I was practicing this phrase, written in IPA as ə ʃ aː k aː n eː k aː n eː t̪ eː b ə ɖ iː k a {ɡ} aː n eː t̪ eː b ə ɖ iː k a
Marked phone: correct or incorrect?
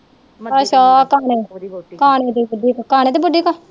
incorrect